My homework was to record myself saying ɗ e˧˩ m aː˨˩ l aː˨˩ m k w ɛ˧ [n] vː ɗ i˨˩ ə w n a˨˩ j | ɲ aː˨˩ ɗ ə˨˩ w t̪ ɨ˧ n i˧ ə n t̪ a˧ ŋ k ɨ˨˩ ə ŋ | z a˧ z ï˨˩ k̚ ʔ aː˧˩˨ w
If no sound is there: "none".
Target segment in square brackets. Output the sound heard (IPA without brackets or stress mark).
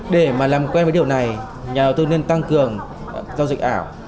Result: n